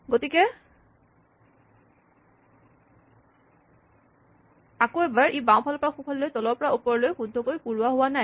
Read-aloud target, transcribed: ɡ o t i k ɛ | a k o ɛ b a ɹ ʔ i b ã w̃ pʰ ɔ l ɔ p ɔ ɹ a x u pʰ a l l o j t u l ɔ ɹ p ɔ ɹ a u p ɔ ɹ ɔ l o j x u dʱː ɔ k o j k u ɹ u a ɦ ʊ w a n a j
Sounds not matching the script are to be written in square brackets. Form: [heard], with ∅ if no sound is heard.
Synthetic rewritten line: ɡ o t i k ɛ | a k o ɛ b a ɹ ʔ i b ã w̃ pʰ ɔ l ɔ p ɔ ɹ a x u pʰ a l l o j t [ɔ] l ɔ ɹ p ɔ ɹ a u p ɔ ɹ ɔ l o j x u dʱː ɔ k o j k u ɹ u a ɦ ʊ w a n a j

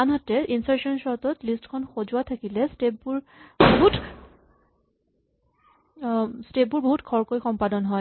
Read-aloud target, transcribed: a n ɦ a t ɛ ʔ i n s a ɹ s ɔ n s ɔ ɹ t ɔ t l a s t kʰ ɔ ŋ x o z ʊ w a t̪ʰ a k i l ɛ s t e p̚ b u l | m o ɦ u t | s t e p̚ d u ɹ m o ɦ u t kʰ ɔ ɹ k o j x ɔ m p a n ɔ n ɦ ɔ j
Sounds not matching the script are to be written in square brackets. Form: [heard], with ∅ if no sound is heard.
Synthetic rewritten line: a n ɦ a t ɛ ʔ i n s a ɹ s ɔ n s ɔ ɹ t ɔ t l [i] s t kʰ ɔ [n] x o z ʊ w a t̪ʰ a k i l ɛ s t e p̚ b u [ɹ] | [b] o ɦ u t | s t e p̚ [b] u ɹ [b] o ɦ u t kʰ ɔ ɹ k o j x ɔ m p a [d] ɔ n ɦ ɔ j

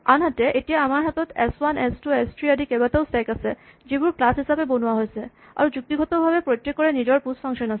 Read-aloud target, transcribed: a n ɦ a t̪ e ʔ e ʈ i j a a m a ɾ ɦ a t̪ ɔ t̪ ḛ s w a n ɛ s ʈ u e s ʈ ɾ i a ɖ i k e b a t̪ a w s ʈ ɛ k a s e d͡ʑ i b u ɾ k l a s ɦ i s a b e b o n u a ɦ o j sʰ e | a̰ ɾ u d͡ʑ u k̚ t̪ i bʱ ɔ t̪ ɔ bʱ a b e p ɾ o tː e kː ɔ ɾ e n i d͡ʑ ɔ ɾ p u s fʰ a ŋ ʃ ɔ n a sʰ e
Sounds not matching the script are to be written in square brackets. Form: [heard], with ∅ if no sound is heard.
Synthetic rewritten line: a n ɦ a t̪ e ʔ e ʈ i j a a m a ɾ ɦ a t̪ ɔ t̪ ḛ s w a n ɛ s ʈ u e s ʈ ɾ i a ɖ i k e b a t̪ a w s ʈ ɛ k a s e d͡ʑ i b u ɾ k l a s ɦ i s a b e b o n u a ɦ o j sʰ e | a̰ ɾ u d͡ʑ u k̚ t̪ i [ɡʱ] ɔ t̪ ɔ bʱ a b e p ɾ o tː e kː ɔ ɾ e n i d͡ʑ ɔ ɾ p u s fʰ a ŋ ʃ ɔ n a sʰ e

